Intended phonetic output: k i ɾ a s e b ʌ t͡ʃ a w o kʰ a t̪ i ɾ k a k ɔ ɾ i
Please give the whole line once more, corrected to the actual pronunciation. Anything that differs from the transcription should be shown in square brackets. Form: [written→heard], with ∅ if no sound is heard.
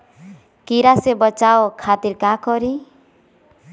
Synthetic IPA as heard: k i ɾ a s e b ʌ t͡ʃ a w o kʰ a t̪ i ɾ k a k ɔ ɾ i